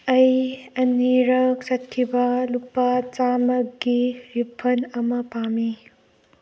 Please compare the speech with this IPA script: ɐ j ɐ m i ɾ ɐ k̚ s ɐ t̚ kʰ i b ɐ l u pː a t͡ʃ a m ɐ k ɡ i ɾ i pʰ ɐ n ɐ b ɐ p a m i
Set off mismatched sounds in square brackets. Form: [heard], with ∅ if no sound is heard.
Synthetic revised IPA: ɐ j ɐ [n] i ɾ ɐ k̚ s ɐ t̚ kʰ i b ɐ l u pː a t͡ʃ a m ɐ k ɡ i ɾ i pʰ ɐ n ɐ [m] ɐ p a m i